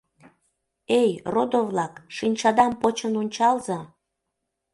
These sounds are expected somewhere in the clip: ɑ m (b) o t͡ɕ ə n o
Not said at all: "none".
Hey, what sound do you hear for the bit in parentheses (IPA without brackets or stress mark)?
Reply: p